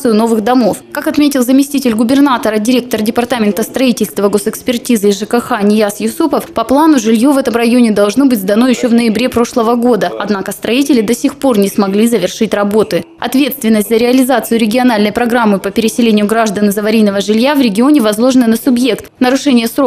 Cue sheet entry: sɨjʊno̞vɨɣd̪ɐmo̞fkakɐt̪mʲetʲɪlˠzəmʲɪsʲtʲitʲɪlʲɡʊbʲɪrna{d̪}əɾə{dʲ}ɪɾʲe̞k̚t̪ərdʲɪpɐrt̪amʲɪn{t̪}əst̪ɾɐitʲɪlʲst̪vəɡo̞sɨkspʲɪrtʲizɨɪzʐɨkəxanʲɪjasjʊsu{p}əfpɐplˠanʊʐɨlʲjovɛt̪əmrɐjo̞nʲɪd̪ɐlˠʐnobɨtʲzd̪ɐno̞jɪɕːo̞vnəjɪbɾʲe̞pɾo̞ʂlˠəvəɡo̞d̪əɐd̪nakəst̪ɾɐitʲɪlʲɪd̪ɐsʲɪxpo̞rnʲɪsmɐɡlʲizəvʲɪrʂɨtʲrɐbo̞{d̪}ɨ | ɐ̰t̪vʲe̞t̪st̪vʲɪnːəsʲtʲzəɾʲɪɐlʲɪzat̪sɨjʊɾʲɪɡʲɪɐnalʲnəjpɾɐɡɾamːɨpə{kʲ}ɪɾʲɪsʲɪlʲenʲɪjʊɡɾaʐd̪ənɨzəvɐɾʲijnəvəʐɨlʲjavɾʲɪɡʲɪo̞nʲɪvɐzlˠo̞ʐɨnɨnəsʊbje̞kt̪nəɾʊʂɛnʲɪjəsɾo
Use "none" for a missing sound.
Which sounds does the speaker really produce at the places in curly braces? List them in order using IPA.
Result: t̪, dʲ, t̪, p, t̪, pʲ

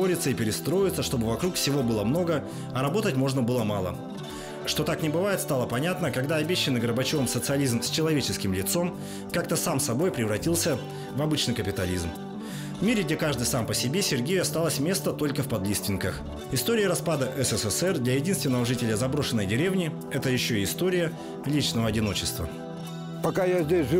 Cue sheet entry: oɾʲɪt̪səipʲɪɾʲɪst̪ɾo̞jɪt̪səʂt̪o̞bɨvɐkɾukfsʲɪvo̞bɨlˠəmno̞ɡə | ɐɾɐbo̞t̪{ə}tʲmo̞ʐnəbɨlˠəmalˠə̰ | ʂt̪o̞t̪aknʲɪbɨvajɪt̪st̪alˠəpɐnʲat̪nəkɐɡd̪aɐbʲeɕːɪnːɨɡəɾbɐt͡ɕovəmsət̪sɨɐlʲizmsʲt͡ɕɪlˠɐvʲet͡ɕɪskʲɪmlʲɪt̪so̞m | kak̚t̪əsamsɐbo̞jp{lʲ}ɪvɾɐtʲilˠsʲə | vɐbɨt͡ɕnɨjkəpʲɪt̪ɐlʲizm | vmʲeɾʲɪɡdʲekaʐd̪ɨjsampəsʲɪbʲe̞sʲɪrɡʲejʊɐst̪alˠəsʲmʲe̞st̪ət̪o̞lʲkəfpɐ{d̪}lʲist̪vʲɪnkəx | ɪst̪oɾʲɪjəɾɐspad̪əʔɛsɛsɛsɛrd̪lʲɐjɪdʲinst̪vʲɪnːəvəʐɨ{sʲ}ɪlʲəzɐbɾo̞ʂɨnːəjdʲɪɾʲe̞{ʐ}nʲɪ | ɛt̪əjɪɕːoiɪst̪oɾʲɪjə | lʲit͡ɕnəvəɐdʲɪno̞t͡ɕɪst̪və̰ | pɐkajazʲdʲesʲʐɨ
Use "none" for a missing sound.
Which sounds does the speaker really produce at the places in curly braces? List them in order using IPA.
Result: ə, ɾʲ, d̪, tʲ, v

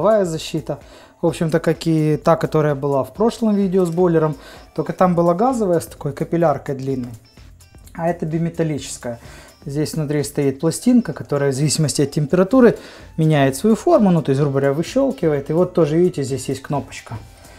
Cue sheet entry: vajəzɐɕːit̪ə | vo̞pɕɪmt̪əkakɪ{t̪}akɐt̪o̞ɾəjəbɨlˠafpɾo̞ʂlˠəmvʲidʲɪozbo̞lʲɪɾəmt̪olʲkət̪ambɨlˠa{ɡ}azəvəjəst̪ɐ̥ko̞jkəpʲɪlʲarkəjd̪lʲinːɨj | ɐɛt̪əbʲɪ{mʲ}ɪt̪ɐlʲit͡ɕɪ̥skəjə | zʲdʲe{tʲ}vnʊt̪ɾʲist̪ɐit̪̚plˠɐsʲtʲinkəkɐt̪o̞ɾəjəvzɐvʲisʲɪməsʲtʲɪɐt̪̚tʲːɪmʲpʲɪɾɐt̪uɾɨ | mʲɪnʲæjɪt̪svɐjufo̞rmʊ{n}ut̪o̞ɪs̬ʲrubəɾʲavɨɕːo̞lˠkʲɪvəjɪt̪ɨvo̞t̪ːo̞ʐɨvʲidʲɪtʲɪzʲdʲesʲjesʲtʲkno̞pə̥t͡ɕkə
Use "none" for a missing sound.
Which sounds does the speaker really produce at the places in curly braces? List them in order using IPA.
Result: t̪, ɡ, mʲ, sʲ, n

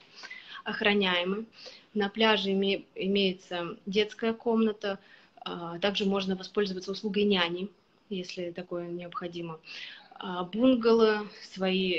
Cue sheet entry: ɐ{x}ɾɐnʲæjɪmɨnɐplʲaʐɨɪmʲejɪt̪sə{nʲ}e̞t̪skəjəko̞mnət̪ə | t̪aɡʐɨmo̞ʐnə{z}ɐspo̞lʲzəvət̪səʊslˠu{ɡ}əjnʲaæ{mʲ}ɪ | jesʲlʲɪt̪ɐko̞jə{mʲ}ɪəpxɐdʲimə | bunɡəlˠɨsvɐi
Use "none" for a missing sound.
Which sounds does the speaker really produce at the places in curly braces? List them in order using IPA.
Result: x, dʲ, v, ɡ, nʲ, nʲ

